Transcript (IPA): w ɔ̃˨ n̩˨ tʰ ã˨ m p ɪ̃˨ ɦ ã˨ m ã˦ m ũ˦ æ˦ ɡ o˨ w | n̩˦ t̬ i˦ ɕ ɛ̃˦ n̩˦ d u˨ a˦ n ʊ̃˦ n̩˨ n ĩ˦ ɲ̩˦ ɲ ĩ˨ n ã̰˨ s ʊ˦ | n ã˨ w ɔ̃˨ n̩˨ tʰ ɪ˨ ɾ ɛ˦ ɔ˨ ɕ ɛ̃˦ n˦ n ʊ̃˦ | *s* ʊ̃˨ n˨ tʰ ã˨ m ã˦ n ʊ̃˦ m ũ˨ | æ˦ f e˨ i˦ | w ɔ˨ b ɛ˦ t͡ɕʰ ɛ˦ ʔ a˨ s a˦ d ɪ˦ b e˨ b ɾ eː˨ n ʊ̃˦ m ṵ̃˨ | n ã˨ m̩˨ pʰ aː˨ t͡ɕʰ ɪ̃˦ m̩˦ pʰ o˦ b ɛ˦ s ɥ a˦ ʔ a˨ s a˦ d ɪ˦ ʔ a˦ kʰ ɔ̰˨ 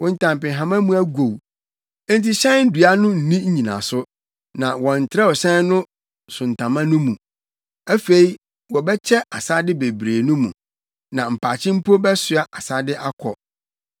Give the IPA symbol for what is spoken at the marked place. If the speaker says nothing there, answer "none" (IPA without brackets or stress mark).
s